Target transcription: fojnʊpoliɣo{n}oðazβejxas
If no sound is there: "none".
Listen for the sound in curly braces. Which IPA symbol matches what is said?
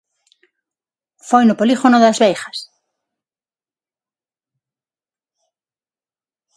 n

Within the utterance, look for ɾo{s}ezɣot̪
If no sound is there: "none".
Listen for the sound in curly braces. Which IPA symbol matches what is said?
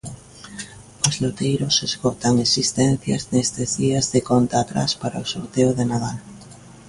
s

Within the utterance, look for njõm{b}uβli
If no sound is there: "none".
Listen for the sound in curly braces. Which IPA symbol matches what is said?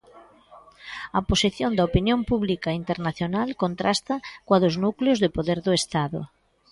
p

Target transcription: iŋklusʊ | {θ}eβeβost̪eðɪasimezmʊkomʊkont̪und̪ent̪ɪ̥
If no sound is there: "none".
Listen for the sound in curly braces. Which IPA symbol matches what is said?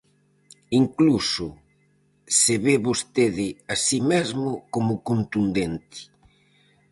s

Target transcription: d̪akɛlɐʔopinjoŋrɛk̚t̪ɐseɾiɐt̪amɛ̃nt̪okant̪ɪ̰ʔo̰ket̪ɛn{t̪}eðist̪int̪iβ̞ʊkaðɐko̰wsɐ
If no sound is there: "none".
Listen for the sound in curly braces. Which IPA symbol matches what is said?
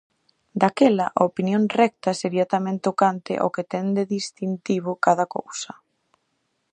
d̪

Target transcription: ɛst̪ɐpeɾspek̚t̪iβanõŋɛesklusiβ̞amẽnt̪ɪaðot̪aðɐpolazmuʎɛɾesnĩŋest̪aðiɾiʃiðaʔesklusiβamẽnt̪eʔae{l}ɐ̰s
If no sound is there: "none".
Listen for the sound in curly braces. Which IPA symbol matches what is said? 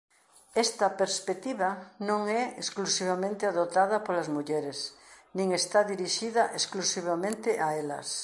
l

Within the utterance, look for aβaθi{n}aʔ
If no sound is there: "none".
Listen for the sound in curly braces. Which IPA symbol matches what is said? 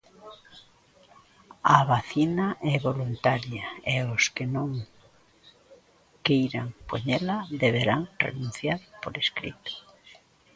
n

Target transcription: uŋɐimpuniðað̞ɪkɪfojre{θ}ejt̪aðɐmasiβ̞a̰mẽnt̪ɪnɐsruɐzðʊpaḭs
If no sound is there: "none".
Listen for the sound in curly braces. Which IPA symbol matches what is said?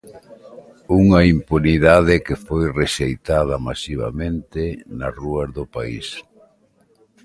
ʃ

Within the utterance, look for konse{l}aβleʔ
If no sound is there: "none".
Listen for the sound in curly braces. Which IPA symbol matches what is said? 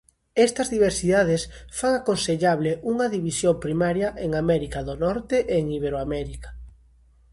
ʎ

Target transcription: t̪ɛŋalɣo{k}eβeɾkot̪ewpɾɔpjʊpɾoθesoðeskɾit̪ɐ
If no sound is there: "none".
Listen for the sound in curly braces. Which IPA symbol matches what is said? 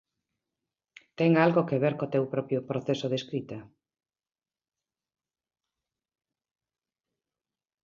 k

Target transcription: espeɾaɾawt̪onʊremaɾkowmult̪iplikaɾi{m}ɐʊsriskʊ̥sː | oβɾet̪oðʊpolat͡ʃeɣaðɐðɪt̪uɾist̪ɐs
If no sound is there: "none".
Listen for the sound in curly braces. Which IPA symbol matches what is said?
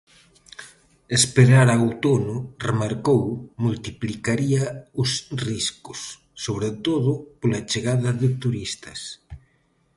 none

